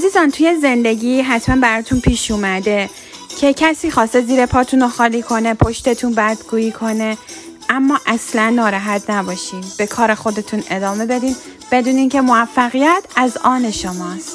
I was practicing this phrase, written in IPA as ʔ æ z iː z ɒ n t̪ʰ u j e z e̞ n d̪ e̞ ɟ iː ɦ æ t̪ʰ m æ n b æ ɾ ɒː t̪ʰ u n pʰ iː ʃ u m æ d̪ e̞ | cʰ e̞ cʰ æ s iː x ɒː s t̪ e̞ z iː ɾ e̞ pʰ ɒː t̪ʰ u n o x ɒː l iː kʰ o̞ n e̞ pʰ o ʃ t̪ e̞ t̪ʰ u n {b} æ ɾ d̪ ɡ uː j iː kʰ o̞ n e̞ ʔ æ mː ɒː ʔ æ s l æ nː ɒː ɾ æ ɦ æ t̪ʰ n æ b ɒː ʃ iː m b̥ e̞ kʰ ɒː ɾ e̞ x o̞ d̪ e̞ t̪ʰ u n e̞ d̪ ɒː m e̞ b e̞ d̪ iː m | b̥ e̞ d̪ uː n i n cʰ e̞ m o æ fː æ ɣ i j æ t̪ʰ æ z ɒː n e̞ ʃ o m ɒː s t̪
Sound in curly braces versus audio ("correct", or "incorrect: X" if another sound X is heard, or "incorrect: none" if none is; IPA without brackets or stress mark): correct